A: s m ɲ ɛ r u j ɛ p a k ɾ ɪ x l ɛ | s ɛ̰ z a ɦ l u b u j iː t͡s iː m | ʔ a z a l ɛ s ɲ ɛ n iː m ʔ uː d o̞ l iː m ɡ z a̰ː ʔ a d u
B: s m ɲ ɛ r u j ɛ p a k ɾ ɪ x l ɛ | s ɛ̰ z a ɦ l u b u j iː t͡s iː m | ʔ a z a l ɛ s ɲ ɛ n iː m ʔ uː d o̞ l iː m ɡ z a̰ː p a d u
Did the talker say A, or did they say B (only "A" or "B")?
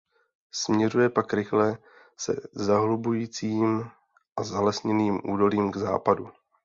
B